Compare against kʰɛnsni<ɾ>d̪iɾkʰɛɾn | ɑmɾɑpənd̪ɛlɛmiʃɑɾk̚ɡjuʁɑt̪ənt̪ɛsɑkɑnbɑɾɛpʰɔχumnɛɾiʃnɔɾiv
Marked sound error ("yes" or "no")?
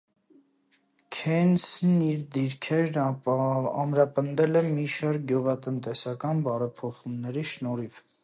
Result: no